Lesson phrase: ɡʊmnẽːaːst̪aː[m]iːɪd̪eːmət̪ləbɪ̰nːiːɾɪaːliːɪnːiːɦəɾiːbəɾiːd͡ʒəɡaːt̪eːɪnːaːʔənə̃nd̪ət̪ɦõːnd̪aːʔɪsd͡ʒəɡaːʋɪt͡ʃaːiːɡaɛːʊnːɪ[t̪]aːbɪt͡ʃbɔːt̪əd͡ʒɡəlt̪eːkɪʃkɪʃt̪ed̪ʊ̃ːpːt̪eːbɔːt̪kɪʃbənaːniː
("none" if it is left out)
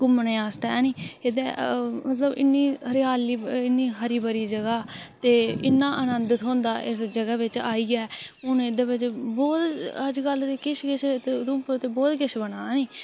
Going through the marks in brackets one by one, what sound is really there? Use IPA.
n, d̪

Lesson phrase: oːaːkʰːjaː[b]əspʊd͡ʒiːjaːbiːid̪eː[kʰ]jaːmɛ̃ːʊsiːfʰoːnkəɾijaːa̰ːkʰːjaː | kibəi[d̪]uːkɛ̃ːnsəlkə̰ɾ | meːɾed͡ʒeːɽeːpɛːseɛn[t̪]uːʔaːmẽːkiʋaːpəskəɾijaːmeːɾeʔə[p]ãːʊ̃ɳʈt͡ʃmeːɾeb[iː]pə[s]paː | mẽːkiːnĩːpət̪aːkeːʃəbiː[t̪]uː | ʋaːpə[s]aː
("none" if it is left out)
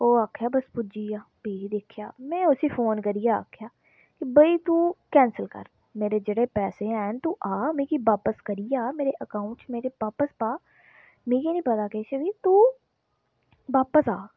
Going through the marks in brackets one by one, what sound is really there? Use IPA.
b, kʰ, t̪, t̪, k, aː, s, t̪, s

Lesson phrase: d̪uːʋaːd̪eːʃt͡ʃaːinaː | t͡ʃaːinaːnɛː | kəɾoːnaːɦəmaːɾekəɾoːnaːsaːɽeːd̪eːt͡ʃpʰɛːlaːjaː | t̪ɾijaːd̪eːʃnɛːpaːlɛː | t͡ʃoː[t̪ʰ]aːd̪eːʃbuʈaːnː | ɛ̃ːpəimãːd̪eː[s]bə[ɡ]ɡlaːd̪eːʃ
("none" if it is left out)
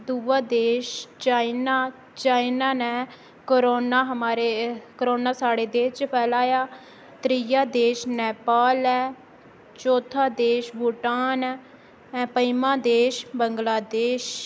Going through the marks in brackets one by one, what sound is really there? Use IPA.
t̪ʰ, ʃ, ŋ

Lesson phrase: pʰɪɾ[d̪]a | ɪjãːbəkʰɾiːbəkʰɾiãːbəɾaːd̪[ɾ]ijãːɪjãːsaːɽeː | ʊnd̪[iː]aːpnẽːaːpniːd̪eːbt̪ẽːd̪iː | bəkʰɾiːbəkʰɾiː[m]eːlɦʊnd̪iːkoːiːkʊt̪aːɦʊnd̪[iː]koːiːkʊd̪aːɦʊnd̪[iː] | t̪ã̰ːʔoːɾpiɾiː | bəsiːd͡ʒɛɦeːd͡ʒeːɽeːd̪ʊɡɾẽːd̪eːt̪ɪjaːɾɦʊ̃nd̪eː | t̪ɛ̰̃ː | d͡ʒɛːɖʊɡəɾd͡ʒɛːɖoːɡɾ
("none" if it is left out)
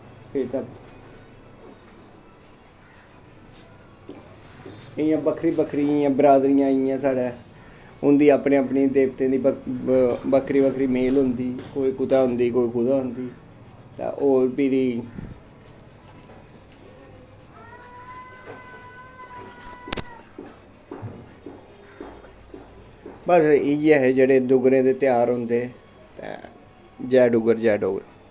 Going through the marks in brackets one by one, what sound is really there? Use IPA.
t̪, ɾ, iː, m, iː, iː

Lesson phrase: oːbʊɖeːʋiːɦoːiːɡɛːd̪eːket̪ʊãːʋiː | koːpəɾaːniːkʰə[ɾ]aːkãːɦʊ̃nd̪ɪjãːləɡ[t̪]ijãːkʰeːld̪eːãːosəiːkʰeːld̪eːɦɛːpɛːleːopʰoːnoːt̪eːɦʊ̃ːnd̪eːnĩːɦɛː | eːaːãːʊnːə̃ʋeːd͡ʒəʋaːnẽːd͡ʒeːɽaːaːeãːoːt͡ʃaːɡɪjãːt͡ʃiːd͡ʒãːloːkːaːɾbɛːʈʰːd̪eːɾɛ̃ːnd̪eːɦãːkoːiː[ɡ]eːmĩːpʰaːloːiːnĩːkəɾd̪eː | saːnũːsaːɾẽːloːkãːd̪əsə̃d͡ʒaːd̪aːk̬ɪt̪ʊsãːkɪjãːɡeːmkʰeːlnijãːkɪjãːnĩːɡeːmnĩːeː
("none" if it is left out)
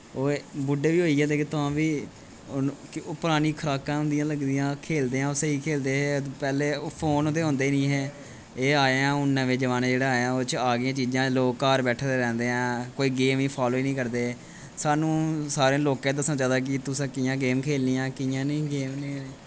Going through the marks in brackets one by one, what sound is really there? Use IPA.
ɾ, d̪, ɡ

